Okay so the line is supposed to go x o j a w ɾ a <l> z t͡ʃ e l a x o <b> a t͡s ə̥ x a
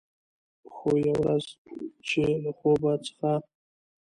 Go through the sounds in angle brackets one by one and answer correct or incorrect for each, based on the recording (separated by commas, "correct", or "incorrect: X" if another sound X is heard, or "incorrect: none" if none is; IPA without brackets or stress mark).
incorrect: none, correct